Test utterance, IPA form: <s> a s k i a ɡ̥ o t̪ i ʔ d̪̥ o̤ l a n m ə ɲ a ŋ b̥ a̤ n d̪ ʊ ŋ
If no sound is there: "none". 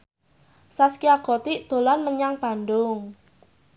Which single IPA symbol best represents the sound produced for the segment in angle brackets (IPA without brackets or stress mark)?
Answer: s